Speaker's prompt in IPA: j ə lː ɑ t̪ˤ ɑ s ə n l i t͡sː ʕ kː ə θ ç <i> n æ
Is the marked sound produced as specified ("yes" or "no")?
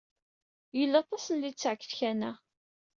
no